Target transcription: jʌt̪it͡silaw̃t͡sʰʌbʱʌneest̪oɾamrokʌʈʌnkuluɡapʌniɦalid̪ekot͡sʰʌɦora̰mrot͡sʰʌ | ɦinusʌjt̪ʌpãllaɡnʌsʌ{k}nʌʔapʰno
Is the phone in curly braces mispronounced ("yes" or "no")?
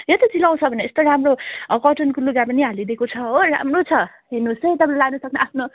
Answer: no